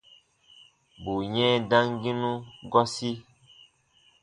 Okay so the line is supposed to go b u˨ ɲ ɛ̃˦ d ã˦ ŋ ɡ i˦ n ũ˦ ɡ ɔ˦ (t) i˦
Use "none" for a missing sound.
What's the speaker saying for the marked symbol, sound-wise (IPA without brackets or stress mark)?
s